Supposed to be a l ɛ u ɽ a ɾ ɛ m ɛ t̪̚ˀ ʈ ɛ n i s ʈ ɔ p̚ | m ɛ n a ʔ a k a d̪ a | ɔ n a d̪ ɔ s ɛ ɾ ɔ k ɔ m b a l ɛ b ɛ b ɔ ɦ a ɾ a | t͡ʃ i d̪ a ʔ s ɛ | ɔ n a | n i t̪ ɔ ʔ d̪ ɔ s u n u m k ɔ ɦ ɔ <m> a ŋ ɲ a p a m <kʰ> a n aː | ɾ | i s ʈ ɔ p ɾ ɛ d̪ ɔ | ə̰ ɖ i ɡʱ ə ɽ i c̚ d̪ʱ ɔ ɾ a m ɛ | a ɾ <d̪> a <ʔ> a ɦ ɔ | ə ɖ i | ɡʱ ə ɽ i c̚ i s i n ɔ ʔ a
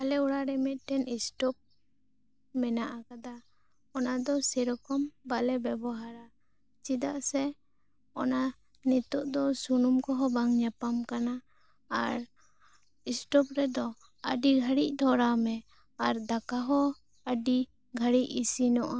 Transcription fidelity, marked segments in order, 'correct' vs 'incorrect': incorrect: b, incorrect: k, correct, incorrect: k

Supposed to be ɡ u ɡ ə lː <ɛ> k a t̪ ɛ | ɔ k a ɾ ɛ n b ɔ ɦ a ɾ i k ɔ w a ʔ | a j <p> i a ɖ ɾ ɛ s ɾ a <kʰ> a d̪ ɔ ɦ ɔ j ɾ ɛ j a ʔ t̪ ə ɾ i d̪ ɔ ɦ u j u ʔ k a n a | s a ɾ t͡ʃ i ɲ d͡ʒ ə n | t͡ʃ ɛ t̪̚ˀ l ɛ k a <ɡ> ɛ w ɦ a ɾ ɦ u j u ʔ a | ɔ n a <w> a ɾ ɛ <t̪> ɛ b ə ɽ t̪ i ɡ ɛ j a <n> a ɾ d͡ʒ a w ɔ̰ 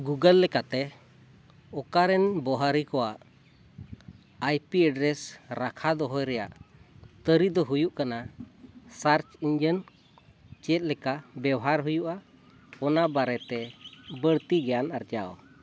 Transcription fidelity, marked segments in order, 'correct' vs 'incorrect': correct, correct, correct, incorrect: b, incorrect: b, correct, correct

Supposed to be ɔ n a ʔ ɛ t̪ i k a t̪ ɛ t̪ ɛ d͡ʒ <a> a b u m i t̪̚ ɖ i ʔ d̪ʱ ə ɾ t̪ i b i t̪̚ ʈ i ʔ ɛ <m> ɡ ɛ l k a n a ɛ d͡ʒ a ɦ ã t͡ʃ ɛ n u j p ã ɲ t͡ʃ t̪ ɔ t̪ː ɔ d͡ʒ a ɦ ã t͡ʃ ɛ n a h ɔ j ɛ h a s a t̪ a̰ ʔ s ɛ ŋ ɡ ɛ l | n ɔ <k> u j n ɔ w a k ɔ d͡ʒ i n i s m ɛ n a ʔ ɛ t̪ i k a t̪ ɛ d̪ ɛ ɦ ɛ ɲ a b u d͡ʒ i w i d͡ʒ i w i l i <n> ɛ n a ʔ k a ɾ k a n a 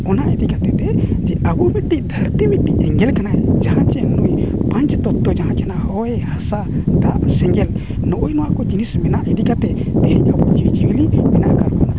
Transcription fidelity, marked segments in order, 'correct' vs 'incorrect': incorrect: ɛ, incorrect: ŋ, incorrect: ʔ, incorrect: m

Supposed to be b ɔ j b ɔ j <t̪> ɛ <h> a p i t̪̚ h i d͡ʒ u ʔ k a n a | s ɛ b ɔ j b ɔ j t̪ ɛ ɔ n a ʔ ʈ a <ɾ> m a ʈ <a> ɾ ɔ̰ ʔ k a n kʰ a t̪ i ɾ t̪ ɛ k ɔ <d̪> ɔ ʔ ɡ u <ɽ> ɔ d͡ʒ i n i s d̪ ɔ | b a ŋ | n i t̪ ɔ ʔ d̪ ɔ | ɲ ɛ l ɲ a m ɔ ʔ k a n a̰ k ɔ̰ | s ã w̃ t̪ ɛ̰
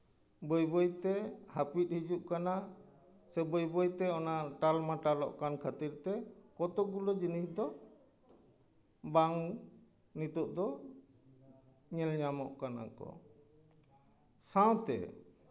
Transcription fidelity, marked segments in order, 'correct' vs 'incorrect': correct, correct, incorrect: l, correct, incorrect: t̪, incorrect: l

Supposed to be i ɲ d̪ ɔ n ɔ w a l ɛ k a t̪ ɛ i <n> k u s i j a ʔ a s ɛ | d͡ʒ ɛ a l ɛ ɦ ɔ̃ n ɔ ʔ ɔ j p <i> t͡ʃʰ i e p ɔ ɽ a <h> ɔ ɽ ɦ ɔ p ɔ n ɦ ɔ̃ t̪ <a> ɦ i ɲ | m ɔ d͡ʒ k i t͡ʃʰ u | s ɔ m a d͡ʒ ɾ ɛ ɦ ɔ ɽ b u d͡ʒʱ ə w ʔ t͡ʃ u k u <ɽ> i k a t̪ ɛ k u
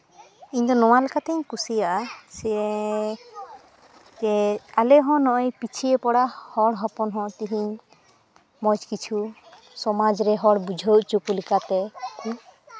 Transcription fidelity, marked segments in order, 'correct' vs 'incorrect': incorrect: ɲ, correct, correct, incorrect: i, incorrect: l

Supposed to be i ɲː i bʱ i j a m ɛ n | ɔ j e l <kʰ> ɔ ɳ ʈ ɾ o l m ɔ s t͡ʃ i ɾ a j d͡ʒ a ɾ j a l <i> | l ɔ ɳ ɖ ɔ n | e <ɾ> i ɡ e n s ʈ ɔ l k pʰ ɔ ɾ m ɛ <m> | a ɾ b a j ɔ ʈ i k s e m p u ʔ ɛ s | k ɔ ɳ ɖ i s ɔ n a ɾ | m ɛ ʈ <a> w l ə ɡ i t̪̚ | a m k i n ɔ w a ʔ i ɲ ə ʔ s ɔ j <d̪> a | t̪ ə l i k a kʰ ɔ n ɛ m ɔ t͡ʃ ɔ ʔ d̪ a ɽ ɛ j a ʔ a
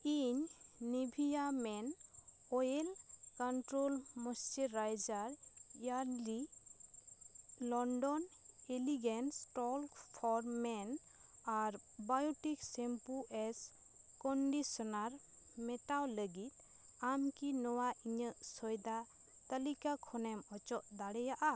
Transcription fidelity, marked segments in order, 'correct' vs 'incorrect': incorrect: k, correct, incorrect: l, incorrect: n, correct, correct

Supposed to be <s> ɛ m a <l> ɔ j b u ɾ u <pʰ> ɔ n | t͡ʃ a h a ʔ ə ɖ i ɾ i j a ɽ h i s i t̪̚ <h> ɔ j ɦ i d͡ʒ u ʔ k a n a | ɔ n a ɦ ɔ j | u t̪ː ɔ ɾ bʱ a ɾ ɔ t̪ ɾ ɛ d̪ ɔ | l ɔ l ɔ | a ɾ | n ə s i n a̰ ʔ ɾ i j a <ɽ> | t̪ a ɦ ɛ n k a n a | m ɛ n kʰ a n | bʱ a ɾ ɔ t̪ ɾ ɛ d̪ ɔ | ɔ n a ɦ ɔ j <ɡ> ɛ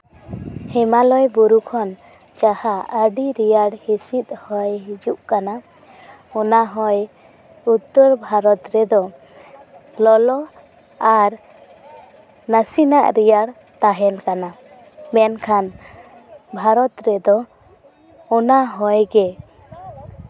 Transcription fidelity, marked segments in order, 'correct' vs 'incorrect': incorrect: h, correct, incorrect: kʰ, correct, correct, correct

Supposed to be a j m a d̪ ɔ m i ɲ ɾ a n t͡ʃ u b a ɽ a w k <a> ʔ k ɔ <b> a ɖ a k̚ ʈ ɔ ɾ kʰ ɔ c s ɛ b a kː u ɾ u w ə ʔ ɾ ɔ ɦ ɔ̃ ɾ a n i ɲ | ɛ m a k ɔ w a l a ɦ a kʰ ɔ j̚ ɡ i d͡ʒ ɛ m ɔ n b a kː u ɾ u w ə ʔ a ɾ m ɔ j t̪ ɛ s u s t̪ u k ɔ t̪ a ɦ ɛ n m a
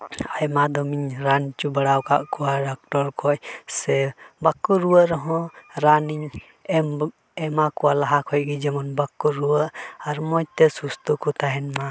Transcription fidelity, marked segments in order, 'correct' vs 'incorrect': correct, incorrect: w

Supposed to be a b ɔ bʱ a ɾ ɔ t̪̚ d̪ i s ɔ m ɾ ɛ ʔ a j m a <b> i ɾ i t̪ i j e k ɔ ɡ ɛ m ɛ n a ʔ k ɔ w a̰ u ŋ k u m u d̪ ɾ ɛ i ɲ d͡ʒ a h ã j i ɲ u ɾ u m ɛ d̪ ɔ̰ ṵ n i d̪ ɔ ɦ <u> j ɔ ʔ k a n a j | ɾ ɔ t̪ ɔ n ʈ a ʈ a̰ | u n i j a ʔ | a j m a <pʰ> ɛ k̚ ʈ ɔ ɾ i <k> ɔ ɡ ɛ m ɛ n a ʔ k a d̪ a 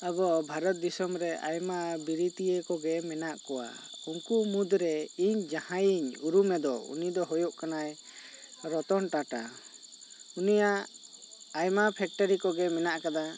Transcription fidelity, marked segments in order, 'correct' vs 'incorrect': correct, incorrect: ɔ, correct, correct

